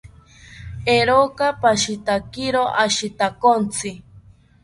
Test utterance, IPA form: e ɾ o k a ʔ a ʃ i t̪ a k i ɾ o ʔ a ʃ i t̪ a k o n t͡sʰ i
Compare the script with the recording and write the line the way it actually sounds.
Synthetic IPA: e ɾ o k a p a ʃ i t̪ a k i ɾ o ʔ a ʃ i t̪ a k o n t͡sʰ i

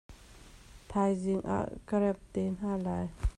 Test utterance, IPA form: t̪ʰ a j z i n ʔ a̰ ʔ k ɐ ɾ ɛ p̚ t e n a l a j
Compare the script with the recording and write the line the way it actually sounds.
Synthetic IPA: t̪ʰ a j z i ŋ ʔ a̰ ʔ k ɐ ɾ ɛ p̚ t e n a l a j

